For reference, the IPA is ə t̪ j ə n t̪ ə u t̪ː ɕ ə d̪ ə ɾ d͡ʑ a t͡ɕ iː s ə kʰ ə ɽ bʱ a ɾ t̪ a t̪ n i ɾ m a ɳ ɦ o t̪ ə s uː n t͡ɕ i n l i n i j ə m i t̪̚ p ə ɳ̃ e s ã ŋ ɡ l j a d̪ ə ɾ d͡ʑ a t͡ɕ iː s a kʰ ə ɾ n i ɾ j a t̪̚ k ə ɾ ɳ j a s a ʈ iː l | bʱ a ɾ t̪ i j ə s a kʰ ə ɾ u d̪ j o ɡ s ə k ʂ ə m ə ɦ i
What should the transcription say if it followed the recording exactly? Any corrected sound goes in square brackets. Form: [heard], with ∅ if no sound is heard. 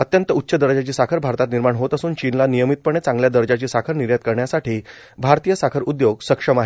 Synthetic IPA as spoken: ə t̪ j ə n t̪ ə u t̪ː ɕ ə d̪ ə ɾ d͡ʑ a t͡ɕ iː s [a] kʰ ə [ɾ] bʱ a ɾ t̪ a t̪ n i ɾ m a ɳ ɦ o t̪ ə s uː n t͡ɕ i n l [a] n i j ə m i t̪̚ p ə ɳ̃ e [t͡s] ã ŋ ɡ l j a d̪ ə ɾ d͡ʑ a t͡ɕ iː s a kʰ ə ɾ n i ɾ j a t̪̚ k ə ɾ ɳ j a s a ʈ iː [∅] | bʱ a ɾ t̪ i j ə s a kʰ ə ɾ u d̪ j o ɡ s ə k ʂ ə m [a] ɦ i